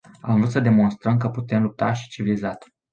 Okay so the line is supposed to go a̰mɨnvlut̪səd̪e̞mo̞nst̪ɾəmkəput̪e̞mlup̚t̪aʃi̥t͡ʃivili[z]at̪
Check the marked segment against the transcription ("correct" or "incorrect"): correct